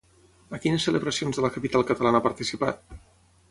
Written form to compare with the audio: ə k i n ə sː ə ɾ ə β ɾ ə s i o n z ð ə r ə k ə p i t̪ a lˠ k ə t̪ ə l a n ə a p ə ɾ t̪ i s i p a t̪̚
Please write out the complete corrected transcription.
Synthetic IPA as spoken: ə k i n ə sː ə l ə β ɾ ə s i o n z ð ə l ə k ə p i t̪ a lˠ k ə t̪ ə l a n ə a p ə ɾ t̪ i s i p a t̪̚